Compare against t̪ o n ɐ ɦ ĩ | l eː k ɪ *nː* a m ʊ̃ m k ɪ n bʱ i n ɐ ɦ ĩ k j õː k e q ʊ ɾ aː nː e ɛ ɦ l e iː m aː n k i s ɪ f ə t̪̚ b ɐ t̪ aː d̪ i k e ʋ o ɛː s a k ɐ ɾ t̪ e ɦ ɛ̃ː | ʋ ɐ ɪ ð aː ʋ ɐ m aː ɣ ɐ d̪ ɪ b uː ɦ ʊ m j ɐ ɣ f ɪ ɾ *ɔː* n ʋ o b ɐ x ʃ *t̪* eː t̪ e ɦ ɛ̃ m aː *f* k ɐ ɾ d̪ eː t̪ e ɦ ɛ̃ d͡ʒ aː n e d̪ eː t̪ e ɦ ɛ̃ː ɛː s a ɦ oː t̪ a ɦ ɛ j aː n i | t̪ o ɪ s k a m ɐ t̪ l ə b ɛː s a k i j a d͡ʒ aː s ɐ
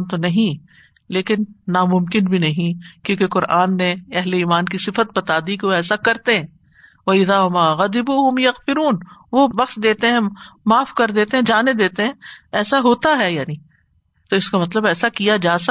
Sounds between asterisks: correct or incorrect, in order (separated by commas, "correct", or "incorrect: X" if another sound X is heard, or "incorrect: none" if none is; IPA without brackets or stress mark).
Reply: correct, incorrect: uː, incorrect: d̪, correct